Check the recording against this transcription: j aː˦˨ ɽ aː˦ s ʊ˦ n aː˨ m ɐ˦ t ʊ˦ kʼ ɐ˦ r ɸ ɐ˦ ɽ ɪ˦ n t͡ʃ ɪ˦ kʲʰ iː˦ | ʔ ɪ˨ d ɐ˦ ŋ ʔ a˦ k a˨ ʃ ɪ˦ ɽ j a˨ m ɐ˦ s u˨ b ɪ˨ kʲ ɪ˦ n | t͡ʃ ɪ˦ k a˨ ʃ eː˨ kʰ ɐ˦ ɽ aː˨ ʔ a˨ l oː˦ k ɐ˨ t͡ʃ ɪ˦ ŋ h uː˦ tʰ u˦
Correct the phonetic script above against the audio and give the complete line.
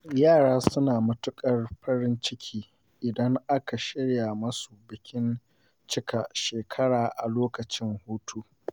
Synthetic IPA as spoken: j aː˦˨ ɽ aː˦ s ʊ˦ n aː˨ m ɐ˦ t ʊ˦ kʼ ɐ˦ r ɸ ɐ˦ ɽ ɪ˦ n t͡ʃ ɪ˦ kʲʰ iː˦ | ʔ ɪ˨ d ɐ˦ ŋ ʔ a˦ k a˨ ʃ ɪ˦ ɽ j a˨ m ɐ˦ s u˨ b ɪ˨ kʲ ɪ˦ n | t͡ʃ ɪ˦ k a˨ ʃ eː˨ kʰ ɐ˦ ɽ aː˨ ʔ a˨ l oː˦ k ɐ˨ t͡ʃ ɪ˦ ŋ h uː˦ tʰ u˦